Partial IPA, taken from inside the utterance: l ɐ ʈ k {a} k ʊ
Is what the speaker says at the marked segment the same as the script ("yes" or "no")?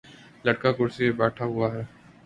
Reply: yes